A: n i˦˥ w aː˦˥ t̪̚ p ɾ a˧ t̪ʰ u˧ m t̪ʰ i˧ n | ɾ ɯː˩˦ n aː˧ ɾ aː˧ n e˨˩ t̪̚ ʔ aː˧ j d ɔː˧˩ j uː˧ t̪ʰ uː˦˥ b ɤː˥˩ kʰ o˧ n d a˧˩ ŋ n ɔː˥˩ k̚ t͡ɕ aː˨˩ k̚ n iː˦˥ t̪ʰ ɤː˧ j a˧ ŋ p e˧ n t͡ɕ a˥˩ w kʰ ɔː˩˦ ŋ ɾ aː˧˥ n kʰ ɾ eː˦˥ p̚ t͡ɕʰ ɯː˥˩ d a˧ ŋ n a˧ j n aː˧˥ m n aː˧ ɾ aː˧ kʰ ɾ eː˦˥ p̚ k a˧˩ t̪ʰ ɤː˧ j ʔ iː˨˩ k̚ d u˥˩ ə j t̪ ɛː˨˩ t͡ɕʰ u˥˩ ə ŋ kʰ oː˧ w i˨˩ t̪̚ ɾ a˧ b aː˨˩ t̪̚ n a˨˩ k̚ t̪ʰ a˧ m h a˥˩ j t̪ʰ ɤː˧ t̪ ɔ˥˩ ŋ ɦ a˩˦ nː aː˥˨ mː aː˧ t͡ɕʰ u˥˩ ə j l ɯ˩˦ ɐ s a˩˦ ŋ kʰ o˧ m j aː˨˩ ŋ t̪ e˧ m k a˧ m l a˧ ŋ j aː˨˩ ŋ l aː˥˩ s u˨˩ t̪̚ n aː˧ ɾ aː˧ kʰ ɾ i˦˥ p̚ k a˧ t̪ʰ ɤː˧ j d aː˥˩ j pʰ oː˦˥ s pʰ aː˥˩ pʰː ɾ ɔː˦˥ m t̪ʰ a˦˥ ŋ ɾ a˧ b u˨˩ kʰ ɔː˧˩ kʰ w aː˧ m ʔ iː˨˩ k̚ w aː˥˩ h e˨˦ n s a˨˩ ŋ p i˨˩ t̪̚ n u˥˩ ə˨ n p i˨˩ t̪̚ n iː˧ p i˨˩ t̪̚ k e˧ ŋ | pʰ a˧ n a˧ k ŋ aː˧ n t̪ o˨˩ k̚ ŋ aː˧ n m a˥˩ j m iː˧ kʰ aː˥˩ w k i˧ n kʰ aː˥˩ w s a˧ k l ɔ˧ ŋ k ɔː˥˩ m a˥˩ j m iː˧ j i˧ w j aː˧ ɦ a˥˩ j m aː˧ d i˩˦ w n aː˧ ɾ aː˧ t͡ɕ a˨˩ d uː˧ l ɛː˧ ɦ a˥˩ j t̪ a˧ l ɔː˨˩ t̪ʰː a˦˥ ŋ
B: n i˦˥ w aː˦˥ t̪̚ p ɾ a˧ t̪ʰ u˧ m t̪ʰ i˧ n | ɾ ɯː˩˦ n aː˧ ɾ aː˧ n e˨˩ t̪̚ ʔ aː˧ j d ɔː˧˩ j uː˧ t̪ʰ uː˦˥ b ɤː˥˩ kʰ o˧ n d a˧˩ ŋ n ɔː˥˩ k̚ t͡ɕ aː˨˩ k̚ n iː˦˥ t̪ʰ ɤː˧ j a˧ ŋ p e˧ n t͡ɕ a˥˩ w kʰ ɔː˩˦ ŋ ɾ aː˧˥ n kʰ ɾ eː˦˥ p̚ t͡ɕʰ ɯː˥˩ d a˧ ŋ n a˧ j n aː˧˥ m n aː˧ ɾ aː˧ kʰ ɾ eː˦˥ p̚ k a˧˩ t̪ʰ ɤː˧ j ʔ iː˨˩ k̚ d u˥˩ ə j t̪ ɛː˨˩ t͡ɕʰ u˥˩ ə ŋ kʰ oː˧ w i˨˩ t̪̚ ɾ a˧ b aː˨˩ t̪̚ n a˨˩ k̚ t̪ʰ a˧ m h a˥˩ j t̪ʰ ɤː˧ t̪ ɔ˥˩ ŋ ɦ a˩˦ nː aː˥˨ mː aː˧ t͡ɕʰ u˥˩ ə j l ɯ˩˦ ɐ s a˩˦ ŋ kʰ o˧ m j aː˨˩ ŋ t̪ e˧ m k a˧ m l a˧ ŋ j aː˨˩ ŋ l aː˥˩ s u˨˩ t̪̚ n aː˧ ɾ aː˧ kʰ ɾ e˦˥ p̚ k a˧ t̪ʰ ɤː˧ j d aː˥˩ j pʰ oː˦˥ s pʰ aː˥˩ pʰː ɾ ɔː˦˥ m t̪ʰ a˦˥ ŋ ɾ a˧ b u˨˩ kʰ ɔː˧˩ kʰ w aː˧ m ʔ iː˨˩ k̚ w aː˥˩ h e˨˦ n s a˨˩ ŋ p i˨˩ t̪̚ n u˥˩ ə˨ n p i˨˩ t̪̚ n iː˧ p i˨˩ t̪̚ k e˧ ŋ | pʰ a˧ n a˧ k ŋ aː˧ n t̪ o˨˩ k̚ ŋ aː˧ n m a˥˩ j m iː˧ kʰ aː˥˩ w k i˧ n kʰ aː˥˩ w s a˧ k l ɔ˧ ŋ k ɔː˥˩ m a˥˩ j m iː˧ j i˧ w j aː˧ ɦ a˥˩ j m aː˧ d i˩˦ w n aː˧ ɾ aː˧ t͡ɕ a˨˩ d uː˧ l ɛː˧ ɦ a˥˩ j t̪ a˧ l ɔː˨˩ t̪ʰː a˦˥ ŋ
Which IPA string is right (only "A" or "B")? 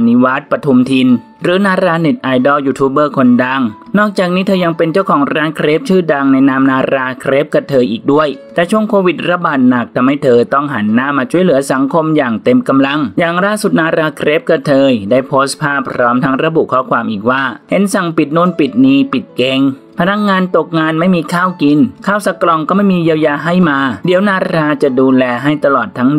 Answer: B